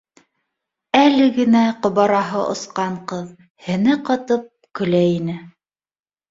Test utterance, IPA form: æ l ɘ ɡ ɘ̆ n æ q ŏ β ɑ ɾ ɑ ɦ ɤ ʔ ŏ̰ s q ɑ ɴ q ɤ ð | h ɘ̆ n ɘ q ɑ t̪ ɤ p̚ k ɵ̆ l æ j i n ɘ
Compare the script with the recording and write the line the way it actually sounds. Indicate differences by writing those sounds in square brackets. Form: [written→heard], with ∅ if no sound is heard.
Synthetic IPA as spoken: æ l ɘ ɡ ɘ̆ n æ q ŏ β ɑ ɾ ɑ ɦ ɤ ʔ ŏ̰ s q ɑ ɴ q ɤ ð | h ɘ̆ n ɘ q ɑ t̪ ɤ p̚ k ɵ̆ l æ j i n ɘ